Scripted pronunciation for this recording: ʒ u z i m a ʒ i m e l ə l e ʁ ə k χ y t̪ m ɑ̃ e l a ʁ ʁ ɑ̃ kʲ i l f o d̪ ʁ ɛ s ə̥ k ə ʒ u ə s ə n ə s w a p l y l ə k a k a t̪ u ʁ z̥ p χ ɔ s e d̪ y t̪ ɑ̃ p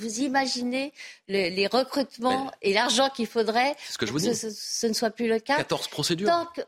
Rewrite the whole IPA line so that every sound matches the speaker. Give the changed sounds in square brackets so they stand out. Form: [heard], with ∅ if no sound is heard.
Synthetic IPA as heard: [v] u z i m a ʒ i [n] e l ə l e ʁ ə k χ y t̪ m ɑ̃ e l a ʁ [ʒ] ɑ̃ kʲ i l f o d̪ ʁ ɛ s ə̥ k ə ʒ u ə s ə n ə s w a p l y l ə k a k a t̪ [ɔ] ʁ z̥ p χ ɔ s e d̪ y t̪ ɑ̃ [k]